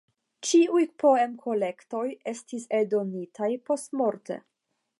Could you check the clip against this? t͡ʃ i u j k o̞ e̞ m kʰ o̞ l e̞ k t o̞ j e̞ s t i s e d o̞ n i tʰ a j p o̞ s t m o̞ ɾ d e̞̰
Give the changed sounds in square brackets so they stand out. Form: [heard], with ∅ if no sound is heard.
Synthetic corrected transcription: t͡ʃ i u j [p] o̞ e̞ m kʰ o̞ l e̞ k t o̞ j e̞ s t i s e d o̞ n i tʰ a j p o̞ s t m o̞ ɾ [t] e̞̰